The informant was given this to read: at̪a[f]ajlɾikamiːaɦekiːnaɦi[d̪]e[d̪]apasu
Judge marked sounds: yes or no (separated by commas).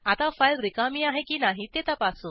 yes, no, no